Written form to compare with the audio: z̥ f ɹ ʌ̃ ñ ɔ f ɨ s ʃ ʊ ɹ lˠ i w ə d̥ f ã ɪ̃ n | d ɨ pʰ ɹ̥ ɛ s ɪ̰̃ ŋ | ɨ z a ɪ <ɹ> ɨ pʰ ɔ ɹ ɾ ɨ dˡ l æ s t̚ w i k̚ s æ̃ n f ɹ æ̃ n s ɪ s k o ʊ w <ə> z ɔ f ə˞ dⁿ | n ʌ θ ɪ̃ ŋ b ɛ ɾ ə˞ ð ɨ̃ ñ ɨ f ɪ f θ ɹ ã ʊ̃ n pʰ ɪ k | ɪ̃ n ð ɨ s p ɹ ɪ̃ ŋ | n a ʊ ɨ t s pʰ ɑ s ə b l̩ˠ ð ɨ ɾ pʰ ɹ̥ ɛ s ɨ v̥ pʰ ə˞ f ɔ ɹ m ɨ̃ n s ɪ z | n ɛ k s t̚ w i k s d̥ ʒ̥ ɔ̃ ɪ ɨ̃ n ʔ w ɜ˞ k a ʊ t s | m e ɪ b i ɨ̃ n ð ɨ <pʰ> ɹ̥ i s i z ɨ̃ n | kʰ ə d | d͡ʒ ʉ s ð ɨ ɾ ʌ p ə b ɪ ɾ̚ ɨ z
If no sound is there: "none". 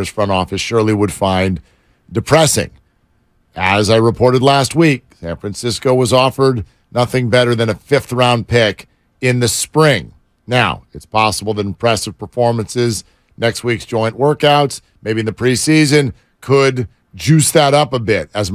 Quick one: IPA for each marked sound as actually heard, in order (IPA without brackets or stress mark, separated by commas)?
ɹ, ʌ, pʰ